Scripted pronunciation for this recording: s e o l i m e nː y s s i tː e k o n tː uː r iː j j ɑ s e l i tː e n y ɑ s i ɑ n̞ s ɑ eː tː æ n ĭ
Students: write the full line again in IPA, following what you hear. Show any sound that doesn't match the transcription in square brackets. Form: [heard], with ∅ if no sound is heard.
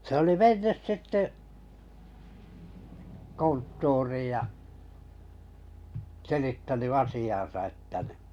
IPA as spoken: s e o l i m e nː y s s i tː e k o n tː uː r iː j j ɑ s e l i tː [æ] n y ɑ s i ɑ n̞ s ɑ [e] tː æ n ĭ

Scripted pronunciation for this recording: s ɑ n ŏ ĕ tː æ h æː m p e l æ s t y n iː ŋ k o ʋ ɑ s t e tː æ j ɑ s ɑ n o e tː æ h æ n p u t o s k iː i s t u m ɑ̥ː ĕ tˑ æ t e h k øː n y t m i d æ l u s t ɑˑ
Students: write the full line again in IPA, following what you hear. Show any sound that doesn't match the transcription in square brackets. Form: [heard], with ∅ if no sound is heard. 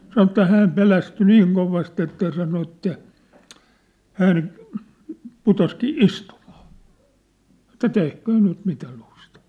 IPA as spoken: s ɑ n ŏ ĕ tː æ h æː m p e l æ s t y n iː ŋ k o ʋ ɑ s t e tː æ j ɑ s ɑ n o e tː æ h æ n p u t o s k iː i s t u m ɑ̥ː ĕ tˑ æ t e h k øː n y t m i [t] æ l u s t ɑˑ

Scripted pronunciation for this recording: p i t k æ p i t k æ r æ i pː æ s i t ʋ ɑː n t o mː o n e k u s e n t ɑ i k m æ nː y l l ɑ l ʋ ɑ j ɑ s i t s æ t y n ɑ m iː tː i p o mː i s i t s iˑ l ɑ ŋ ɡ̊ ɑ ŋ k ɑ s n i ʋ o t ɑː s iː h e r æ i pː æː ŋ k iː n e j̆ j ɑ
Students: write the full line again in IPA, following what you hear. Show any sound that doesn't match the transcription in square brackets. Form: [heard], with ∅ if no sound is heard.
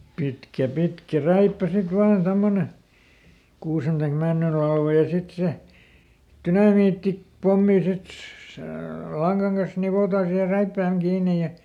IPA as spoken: p i t k æ p i t k æ r æ i pː æ s i t ʋ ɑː n t o mː o n e k [uː] s e n t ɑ i k m æ nː y l l ɑ l ʋ ɑ j ɑ s i t s [e] t y n ɑ m iː tː i p o mː i s i t s [eˑ] l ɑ ŋ ɡ̊ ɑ ŋ k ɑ s n i ʋ o t ɑː s iː h e r æ i pː æː ŋ k iː n e j̆ j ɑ

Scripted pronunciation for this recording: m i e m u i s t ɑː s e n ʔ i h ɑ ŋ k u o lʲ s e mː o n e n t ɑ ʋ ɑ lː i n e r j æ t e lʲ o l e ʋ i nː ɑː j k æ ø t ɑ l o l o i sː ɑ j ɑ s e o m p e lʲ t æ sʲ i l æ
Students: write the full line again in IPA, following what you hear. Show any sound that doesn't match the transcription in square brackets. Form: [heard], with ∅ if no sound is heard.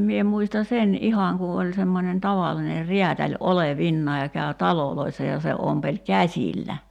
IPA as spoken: m i e m u i s t [ɑ] s e n ʔ i h ɑ ŋ k u o lʲ s e mː o n e n t ɑ ʋ ɑ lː i n e r [i] æ t [æ] lʲ o l e ʋ i nː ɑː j k æ ø t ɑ l o l o i sː ɑ j ɑ s e o m p e lʲ [k] æ sʲ i [lː] æ

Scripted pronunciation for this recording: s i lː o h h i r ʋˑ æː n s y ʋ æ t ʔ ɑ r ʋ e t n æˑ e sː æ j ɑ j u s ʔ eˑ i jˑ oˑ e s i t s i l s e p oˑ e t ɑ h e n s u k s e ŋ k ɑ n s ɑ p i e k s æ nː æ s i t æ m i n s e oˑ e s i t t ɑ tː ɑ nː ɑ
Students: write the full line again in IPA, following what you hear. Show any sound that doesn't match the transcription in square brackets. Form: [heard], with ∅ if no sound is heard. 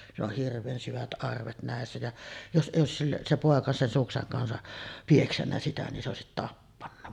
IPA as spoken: s i lː o h h i r ʋˑ [eː] n s y ʋ æ t ʔ ɑ r ʋ e t n æˑ e sː æ j ɑ j [o] s ʔ eˑ i jˑ oˑ e s i [s] s i l s e p oˑ e [k] ɑ [s] e n s u k s e ŋ k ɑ n s ɑ p i e k s æ nː æ s i t æ [n] i n s e oˑ e s i t t ɑ [pː] ɑ nː ɑ

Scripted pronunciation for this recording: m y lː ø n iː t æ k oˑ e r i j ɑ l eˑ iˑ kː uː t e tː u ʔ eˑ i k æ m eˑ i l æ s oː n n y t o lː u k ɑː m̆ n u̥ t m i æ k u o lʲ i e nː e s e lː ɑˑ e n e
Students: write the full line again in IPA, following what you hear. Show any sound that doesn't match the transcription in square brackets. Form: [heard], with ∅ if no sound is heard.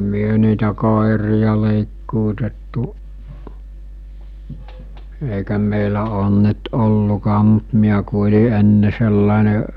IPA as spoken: m y [∅] ø n iː t æ k oˑ e r i j ɑ l eˑ iˑ kː uː t e tː u ʔ eˑ i k æ m eˑ i l æ [∅] oː n n y t o lː u k ɑː m̆ [m] u̥ t m i æ k u o lʲ i e nː e s e lː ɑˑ e n e

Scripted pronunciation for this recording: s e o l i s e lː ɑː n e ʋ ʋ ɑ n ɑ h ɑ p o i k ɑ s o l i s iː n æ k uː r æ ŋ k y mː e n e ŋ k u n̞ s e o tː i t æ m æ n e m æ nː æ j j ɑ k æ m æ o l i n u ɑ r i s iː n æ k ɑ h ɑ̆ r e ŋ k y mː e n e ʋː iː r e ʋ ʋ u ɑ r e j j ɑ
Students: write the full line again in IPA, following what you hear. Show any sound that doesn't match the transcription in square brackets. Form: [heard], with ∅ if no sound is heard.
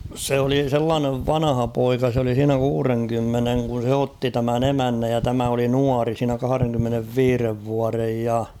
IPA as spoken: s e o l i s e lː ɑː n e ʋ ʋ ɑ n ɑ h ɑ p o i k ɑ s o l i s iː n æ k uː r [e] ŋ k y mː e n e ŋ k u n̞ s e o tː i t æ m æ n e m æ nː æ j j ɑ [t] æ m æ o l i n u ɑ r i s iː n æ k ɑ h ɑ̆ r e ŋ k y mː e n e ʋː iː r e ʋ ʋ u ɑ r e j j ɑ

